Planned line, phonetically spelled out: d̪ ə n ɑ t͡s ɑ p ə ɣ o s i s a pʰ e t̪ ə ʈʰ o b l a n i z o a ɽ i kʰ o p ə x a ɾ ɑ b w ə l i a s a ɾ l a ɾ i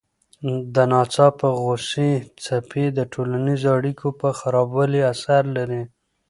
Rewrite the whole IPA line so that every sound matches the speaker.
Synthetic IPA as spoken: d̪ ə n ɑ t͡s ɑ p ə ɣ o s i t͡s a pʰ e d̪ ə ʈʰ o l a n i z o a ɽ i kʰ o p ə x a ɾ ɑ b w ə l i a s a ɾ l a ɾ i

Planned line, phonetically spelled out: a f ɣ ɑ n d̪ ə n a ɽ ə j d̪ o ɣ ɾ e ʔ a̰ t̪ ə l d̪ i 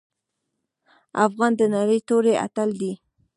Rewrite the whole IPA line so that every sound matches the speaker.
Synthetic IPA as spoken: a f ɣ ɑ n d̪ ə n a ɾ ə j t̪ o ɾ e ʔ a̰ t̪ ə l d̪ i

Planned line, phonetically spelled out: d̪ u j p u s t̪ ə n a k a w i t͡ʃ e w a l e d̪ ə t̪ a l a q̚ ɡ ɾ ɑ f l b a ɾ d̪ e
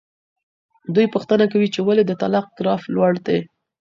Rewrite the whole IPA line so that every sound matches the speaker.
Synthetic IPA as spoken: d̪ u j p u x t̪ ə n a k a w i t͡ʃ e w a l e d̪ ə t̪ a l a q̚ ɡ ɾ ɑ f l w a ɽ d̪ e

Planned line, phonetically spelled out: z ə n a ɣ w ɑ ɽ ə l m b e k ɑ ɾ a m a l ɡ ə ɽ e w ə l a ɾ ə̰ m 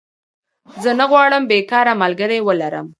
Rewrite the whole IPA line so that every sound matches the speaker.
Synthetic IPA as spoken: z ə n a ɣ w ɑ ɽ ə m b e k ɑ ɾ a m a l ɡ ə ɾ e w ə l a ɾ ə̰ m

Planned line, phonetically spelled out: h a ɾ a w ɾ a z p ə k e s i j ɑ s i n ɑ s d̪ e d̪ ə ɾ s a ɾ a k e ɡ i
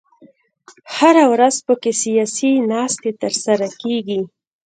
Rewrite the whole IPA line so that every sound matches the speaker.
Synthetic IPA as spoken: h a ɾ a w ɾ a z p ə k e s i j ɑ s i n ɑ s t̪ e t̪ ə ɾ s a ɾ a k e ɡ i

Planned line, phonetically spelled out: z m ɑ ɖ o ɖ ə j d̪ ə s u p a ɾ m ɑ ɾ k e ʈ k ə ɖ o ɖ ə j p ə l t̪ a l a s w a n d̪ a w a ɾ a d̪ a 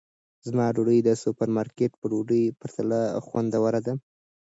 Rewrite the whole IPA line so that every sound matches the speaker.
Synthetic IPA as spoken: z m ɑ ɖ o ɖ ə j d̪ ə s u p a ɾ m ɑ ɾ k e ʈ p ə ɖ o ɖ ə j p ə ɾ t̪ a l a x w a n d̪ a w a ɾ a d̪ a

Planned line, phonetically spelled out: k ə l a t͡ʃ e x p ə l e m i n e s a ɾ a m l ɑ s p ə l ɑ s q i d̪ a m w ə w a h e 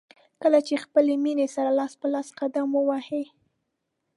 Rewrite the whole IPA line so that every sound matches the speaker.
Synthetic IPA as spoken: k ə l a t͡ʃ e x p ə l e m i n e s a ɾ a l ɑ s p ə l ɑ s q a d̪ a m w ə w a h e

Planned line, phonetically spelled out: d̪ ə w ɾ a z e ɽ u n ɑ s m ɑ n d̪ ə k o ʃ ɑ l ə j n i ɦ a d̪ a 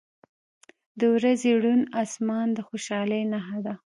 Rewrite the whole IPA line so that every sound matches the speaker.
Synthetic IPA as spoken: d̪ ə w ɾ a z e ɽ u n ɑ s m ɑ n d̪ ə x o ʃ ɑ l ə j n a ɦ a d̪ a

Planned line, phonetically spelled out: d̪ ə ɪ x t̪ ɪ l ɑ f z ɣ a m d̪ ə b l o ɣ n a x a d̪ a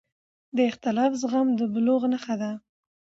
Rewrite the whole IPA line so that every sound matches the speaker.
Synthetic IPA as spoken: d̪ ə ɪ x t̪ ɪ l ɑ f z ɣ a m d̪ ə b l o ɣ n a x a d̪ a

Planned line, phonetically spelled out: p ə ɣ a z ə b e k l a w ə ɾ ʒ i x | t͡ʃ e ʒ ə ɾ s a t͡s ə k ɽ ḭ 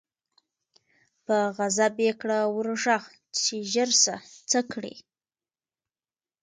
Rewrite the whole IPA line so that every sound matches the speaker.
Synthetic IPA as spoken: p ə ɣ a z a b e k ɽ a w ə ɾ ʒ a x | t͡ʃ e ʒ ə ɾ s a t͡s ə k ɽ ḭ

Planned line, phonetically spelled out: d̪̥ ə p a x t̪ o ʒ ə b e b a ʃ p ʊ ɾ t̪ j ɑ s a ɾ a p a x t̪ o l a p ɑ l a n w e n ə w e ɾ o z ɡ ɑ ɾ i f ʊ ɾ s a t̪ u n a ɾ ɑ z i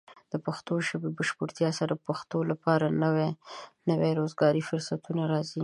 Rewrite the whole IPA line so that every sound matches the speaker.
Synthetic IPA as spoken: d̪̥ ə p a x t̪ o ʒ ə b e b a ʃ p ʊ ɾ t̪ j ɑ s a ɾ a p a x t̪ o l a p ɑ ɾ a n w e n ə w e ɾ o z ɡ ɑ ɾ i f ʊ ɾ s a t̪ u n a ɾ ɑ z i

